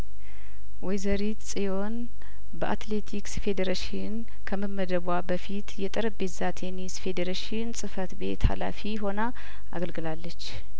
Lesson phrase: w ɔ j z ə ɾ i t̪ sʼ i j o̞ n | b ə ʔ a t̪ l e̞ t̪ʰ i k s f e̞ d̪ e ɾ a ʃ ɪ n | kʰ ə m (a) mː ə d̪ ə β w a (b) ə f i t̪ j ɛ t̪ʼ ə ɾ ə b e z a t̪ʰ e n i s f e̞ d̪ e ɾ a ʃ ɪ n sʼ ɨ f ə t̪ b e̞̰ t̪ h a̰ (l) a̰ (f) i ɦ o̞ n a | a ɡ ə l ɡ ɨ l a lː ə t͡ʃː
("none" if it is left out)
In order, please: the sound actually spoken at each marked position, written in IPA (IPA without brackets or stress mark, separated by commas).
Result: ə, b, l, f